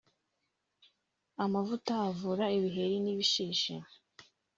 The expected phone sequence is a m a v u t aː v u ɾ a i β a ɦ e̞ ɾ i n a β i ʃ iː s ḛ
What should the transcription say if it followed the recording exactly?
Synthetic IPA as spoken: a m a v u t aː v u ɾ a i β i ɦ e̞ ɾ i n i β i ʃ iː ʃ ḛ